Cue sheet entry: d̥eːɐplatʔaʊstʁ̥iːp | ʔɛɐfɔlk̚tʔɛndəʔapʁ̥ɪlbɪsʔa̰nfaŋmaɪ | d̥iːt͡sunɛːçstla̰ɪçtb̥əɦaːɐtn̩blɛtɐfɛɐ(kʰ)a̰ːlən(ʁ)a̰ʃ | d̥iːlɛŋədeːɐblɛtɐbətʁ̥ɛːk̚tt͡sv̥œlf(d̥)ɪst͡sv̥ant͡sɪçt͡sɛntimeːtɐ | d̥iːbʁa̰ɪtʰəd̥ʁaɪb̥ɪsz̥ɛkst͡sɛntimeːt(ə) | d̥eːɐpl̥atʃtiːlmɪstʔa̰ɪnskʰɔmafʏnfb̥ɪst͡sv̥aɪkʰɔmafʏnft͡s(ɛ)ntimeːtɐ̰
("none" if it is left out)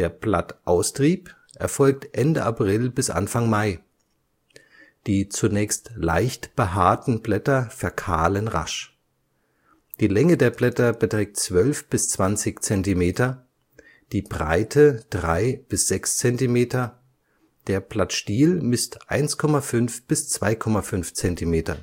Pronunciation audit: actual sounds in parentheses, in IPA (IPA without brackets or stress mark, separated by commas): kʰ, ʁ, b̥, ɐ, ɛ